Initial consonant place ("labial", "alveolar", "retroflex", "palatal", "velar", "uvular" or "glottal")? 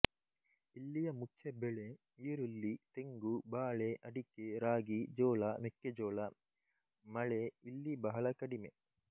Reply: alveolar